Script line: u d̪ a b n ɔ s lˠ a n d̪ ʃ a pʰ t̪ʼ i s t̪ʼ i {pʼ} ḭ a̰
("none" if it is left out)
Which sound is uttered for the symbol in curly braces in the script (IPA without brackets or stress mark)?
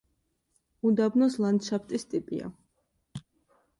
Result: pʼ